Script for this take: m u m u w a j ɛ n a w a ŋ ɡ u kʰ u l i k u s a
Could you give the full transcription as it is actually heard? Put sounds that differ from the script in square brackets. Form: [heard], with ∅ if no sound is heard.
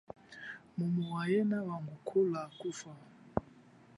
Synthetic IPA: m u m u w a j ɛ n a w a ŋ ɡ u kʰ u l [a] k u [f] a